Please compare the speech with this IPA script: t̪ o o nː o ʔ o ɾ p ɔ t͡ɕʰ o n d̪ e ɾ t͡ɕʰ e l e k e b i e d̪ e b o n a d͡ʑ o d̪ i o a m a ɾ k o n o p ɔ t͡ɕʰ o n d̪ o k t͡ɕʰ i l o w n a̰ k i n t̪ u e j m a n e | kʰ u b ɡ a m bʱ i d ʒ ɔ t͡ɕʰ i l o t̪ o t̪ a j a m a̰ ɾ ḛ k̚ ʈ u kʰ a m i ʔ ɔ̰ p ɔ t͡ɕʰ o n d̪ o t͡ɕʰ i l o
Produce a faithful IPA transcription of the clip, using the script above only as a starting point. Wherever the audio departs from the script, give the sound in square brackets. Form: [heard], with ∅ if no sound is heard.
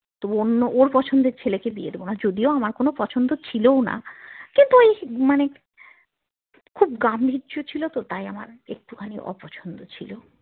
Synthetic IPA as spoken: t̪ o o nː o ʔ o ɾ p ɔ t͡ɕʰ o n d̪ e ɾ t͡ɕʰ e l e k e b i e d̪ e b o n a d͡ʑ o d̪ i o a m a ɾ k o n o p ɔ t͡ɕʰ o n d̪ o [∅] t͡ɕʰ i l o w n a̰ k i n t̪ u e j m a n e | kʰ u b ɡ a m bʱ i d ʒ [o] t͡ɕʰ i l o t̪ o t̪ a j a m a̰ ɾ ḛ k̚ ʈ u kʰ a [n] i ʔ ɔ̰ p ɔ t͡ɕʰ o n d̪ o t͡ɕʰ i l o